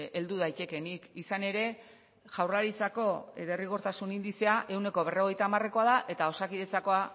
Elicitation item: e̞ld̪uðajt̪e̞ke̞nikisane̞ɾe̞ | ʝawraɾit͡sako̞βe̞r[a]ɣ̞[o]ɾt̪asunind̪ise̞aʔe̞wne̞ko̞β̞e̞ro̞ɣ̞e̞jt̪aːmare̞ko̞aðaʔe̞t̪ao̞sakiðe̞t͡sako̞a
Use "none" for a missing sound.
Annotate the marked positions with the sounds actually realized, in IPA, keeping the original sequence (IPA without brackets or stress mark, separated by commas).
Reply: i, o